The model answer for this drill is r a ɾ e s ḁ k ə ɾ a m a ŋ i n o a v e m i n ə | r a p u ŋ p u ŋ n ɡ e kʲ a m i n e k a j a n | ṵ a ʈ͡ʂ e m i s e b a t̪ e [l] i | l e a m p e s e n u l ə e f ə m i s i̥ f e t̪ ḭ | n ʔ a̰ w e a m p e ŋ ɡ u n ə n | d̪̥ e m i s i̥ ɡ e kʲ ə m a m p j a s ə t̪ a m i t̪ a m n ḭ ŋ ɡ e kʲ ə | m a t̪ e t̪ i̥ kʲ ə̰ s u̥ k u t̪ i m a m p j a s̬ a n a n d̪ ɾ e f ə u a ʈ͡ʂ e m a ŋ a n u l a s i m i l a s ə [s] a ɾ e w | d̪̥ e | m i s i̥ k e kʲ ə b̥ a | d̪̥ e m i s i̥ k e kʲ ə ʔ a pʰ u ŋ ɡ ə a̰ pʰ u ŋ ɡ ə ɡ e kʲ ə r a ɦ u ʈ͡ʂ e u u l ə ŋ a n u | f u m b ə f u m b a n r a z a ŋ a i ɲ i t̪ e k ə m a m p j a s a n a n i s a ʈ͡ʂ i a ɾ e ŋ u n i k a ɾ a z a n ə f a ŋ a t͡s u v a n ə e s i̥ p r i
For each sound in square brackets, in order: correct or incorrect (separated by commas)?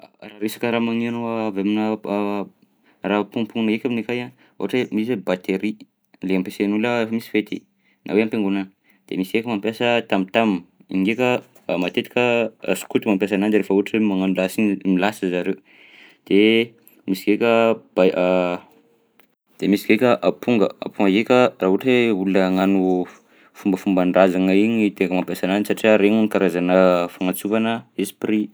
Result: incorrect, incorrect